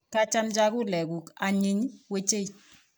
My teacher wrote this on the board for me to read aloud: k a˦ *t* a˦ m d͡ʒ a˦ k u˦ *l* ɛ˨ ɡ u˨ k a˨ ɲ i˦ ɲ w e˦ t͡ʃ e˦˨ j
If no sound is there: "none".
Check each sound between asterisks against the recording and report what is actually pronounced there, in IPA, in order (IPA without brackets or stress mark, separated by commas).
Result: t͡ʃ, l